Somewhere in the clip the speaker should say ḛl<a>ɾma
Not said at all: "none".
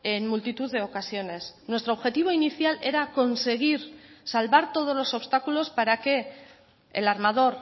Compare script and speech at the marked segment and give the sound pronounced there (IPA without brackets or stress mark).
a